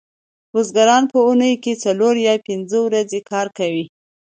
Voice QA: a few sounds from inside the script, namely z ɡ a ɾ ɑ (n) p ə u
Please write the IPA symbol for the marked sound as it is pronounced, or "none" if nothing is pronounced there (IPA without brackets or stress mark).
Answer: n